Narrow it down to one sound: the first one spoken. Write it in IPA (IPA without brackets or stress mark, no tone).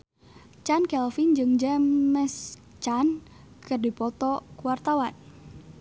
t͡ʃ